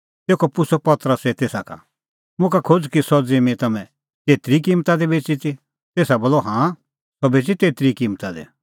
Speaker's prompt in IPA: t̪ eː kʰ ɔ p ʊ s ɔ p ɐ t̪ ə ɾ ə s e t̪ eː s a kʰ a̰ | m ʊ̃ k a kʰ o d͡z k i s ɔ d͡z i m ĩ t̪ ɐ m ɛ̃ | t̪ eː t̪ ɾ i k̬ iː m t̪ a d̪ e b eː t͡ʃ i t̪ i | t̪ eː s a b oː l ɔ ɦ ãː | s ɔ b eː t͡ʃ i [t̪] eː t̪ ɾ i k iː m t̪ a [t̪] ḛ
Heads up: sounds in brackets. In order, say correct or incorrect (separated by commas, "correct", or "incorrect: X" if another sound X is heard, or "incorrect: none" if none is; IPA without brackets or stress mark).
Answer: correct, incorrect: d̪